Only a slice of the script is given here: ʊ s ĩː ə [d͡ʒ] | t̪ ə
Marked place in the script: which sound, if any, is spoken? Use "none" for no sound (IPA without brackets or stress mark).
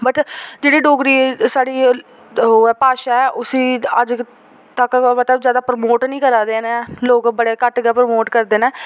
d͡ʒ